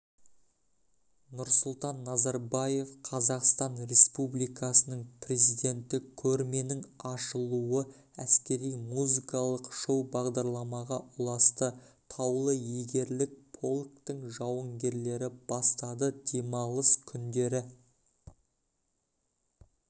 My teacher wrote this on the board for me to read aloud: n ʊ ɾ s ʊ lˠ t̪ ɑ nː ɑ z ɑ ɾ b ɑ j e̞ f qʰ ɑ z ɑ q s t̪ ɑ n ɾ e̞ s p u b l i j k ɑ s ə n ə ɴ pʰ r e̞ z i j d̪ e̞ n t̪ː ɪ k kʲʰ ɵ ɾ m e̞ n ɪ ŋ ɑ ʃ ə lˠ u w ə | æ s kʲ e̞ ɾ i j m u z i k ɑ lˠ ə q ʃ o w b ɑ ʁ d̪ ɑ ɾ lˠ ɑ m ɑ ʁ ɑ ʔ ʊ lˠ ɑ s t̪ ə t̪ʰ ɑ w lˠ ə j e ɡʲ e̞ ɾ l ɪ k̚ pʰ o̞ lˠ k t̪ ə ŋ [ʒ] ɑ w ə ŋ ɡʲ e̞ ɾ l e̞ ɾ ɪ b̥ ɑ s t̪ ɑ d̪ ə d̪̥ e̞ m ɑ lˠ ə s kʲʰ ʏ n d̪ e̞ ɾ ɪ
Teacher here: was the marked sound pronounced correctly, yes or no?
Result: yes